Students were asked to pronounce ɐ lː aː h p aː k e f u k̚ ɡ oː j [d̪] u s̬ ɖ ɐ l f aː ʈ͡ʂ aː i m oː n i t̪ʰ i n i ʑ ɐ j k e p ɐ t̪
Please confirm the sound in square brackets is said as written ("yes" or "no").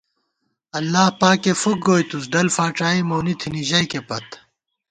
no